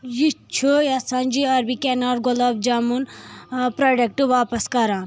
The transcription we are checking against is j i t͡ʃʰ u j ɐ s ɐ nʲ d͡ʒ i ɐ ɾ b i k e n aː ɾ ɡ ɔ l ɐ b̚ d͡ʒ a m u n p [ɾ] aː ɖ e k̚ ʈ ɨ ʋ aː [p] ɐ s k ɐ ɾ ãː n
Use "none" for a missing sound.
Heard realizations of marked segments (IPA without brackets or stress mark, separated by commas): ɾ, p